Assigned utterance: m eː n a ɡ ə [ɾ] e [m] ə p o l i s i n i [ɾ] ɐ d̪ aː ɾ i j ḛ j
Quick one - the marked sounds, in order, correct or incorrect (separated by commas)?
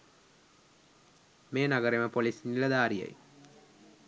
correct, correct, incorrect